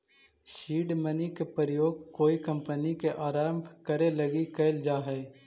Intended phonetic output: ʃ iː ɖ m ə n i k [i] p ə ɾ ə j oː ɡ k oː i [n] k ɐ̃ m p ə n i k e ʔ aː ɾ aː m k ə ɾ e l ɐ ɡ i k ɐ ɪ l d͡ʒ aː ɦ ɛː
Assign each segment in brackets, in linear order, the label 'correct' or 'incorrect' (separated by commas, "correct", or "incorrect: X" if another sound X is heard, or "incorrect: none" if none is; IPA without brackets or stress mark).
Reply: incorrect: e, incorrect: none